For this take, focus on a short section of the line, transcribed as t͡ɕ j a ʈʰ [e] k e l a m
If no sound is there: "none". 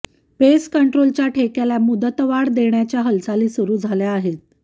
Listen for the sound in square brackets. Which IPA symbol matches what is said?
e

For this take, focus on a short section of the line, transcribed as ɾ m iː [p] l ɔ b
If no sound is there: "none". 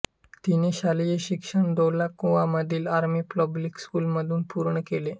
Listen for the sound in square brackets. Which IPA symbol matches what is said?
p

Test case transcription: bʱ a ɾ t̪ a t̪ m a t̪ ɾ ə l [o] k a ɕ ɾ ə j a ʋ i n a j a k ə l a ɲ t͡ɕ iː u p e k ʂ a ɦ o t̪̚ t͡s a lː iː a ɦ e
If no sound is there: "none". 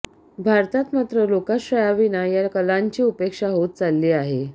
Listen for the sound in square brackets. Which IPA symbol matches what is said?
o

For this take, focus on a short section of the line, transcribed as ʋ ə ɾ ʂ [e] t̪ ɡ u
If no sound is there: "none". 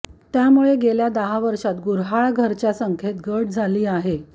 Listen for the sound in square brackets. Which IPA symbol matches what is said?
a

